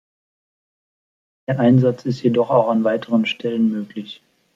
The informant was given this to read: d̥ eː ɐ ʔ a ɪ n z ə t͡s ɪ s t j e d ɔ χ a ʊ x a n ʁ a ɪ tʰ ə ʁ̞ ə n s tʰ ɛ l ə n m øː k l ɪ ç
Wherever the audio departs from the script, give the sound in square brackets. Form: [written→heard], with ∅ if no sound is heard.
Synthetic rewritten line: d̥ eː ɐ ʔ a ɪ n z [ə→a] t͡s ɪ s t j e d ɔ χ a ʊ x a n [ʁ→v] a ɪ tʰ ə ʁ̞ ə n [s→ʃ] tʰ ɛ l ə n m øː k l ɪ ç